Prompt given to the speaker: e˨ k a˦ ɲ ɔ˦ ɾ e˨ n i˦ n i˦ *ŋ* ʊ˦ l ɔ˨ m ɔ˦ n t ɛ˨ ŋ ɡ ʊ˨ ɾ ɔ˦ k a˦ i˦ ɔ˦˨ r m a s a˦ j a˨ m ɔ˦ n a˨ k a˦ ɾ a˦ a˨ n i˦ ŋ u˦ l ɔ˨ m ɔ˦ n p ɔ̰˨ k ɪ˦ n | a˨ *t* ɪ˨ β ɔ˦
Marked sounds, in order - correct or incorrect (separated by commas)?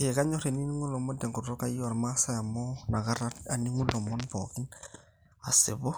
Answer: correct, incorrect